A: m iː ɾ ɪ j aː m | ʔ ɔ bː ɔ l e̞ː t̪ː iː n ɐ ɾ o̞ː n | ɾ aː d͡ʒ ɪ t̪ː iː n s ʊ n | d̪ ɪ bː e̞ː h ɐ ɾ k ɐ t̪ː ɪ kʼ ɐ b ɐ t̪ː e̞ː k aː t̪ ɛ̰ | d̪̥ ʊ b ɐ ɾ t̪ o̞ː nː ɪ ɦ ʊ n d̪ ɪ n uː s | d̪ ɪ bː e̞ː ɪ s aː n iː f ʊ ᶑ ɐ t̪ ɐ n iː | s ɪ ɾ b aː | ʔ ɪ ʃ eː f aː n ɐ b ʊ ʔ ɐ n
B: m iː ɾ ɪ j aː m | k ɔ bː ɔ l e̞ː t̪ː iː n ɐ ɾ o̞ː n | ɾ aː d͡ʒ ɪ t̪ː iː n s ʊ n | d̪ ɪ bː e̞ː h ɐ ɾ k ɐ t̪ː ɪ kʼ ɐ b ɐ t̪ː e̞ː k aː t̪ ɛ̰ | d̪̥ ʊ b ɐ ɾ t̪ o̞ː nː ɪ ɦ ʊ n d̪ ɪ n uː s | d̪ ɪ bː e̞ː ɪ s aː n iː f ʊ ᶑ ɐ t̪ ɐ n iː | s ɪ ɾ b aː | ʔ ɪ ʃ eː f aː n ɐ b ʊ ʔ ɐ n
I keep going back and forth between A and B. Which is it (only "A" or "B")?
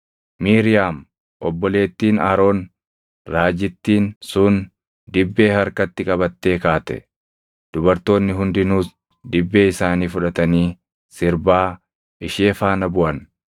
A